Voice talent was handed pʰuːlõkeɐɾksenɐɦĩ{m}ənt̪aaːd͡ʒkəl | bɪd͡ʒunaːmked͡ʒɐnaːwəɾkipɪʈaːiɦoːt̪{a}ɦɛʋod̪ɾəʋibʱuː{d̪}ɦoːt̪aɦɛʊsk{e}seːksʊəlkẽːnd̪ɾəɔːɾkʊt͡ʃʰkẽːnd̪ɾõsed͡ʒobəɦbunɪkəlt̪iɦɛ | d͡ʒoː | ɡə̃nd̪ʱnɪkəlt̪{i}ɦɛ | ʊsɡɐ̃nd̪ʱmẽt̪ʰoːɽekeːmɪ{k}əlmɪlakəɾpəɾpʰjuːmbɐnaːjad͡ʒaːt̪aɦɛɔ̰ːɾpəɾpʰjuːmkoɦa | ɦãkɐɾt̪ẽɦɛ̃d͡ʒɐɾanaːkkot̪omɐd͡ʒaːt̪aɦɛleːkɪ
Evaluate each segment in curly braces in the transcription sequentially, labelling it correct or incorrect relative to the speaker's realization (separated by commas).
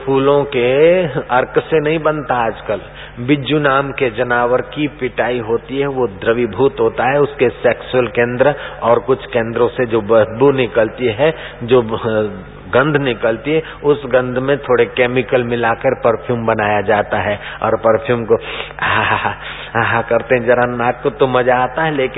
incorrect, incorrect, incorrect, correct, correct, correct